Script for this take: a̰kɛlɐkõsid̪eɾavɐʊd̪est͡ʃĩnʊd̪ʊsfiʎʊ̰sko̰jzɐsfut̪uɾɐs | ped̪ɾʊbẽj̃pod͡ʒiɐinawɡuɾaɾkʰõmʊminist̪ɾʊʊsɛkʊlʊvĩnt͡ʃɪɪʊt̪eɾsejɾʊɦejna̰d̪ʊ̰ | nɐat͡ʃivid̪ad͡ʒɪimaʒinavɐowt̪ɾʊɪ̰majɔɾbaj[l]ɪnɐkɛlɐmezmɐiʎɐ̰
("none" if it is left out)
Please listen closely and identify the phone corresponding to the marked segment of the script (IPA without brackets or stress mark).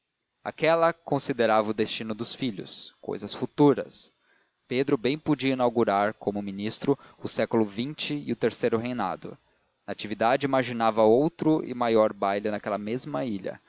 l